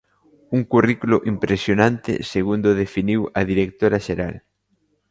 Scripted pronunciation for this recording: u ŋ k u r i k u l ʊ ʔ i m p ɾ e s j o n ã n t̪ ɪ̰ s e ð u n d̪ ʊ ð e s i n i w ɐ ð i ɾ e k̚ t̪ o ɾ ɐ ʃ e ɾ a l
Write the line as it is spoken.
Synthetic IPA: u ŋ k u r i k u l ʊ ʔ i m p ɾ e s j o n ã n t̪ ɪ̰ s e ɣ u n d̪ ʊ ð e f i n i w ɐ ð i ɾ e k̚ t̪ o ɾ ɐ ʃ e ɾ a l